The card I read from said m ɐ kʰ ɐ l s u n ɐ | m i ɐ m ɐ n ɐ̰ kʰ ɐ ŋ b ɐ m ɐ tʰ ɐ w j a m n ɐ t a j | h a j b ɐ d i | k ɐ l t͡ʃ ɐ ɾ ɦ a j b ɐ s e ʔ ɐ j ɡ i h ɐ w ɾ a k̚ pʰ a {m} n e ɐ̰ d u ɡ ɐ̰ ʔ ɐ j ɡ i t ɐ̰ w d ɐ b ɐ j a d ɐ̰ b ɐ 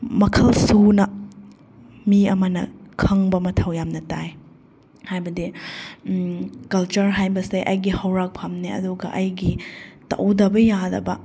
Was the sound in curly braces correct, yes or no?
yes